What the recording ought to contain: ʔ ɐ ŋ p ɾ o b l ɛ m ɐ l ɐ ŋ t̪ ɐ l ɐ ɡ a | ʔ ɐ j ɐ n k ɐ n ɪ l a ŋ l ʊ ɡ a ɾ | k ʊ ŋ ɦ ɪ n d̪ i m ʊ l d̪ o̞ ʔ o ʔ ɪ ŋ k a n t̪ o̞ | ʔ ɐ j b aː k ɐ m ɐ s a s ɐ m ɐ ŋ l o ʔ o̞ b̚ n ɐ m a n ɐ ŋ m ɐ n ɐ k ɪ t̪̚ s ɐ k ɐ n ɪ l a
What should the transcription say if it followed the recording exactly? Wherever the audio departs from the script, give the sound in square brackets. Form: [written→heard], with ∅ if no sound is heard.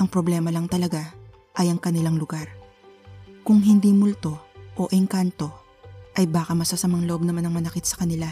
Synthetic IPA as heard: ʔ ɐ ŋ p ɾ o b l ɛ m ɐ l ɐ ŋ t̪ ɐ l ɐ ɡ a | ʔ ɐ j ɐ [n→ŋ] k ɐ n ɪ l a ŋ l ʊ ɡ a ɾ | k ʊ ŋ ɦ ɪ n d̪ i m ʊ l [d̪→t̪] o̞ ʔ o ʔ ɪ ŋ k a n t̪ o̞ | ʔ ɐ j b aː k ɐ m ɐ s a s ɐ m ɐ ŋ l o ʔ o̞ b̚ n ɐ m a n ɐ ŋ m ɐ n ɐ k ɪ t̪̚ s ɐ k ɐ n ɪ l a